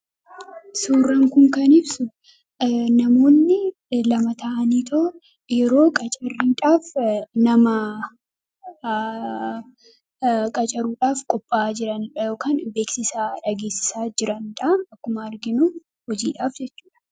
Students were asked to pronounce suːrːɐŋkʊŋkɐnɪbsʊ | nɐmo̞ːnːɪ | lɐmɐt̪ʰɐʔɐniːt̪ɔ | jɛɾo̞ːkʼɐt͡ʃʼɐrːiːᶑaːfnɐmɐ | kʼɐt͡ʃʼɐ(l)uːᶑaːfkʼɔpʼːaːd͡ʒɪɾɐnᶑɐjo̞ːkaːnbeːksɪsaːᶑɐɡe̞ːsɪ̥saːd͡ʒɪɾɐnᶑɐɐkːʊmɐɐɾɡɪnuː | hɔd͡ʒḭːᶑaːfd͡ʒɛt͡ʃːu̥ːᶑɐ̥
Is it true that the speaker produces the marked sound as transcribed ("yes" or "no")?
no